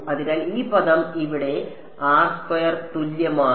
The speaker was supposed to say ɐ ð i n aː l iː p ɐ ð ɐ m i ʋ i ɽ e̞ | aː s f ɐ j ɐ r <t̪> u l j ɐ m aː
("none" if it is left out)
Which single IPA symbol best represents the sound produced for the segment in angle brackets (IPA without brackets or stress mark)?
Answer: t̪